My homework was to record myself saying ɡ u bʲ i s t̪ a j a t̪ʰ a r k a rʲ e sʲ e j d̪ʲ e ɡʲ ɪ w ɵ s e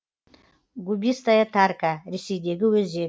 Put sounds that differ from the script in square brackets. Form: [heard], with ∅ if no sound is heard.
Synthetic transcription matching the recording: ɡ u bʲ i s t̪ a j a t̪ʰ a r k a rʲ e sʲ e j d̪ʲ e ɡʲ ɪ w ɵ [z] e